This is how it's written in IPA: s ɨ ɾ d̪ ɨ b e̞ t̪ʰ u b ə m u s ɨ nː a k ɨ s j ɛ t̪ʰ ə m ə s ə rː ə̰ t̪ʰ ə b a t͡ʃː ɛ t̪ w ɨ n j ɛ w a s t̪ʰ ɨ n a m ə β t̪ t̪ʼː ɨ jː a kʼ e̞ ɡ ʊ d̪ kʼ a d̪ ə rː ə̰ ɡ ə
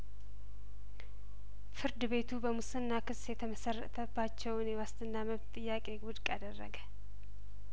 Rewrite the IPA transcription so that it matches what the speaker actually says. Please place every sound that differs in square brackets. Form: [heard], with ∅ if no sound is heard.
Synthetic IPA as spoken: [f] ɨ ɾ d̪ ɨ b e̞ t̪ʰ u b ə m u s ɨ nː a k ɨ s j ɛ t̪ʰ ə m ə s ə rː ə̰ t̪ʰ ə b a t͡ʃː ɛ [∅] w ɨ n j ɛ w a s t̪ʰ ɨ [nː] a m ə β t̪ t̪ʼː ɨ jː a kʼ e̞ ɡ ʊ d̪ kʼ a d̪ ə rː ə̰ ɡ ə